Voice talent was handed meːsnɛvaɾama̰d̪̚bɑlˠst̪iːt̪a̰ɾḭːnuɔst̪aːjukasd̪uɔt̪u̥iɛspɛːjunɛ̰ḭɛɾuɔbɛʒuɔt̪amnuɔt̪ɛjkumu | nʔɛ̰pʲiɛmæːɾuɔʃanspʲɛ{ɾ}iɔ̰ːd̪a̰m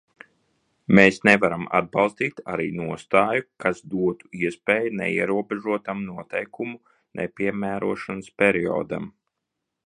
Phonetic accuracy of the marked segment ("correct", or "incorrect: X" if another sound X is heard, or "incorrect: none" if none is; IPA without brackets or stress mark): correct